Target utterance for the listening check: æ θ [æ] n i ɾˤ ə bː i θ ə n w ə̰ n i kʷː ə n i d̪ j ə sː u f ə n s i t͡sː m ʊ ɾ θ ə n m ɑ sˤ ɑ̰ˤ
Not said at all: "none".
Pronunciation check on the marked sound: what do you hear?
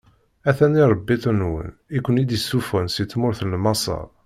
æ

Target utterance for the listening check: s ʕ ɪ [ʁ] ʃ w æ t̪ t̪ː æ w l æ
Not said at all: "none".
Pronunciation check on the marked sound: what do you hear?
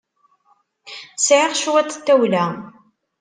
ʁ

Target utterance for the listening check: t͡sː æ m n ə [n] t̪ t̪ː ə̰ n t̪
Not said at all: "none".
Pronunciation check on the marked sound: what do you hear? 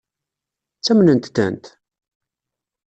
n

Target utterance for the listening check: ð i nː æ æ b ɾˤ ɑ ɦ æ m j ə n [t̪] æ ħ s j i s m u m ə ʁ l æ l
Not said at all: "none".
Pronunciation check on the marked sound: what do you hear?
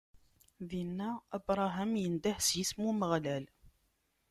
d̪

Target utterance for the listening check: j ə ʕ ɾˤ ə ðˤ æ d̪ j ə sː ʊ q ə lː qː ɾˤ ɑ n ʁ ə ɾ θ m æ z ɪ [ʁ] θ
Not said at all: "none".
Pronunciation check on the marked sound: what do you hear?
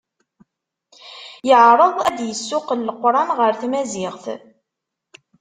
ʁ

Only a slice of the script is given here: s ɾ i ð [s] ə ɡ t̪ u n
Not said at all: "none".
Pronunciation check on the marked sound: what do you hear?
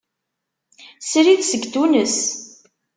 s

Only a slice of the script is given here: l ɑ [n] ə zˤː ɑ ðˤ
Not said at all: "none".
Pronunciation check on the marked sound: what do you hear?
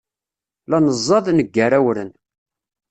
n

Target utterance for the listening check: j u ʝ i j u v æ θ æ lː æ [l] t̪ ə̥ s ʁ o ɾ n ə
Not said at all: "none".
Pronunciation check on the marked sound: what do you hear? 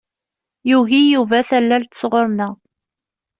l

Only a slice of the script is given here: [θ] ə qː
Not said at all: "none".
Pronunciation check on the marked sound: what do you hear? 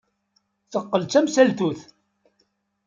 θ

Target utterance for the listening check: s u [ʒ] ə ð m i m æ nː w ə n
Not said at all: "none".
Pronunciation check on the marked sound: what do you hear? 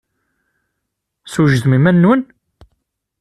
ʒ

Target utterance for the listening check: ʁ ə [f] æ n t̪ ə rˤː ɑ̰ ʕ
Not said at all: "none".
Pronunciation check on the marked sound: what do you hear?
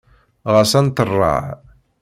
s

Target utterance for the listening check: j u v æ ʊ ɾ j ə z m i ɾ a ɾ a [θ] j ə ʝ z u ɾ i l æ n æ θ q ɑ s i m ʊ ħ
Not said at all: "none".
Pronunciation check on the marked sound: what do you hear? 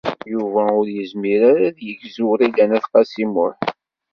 ð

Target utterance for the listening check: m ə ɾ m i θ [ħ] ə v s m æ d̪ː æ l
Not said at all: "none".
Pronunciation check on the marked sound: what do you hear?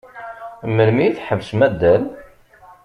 ħ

